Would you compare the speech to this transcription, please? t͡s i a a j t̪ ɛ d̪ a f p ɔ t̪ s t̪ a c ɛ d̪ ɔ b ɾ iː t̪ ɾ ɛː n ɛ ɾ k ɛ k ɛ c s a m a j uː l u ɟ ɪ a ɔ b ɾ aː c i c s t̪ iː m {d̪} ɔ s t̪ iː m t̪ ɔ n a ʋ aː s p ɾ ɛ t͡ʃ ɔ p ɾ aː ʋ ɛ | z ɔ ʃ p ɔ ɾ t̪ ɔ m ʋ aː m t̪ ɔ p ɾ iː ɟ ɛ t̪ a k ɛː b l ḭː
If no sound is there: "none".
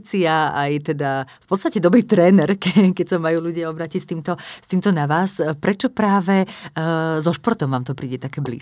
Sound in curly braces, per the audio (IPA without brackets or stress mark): t̪